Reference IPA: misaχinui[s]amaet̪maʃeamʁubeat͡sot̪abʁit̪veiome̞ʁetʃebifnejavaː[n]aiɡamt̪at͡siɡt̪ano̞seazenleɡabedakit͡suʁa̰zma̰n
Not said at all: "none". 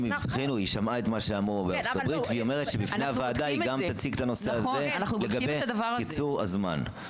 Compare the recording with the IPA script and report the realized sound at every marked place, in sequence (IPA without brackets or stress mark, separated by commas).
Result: ʃ, d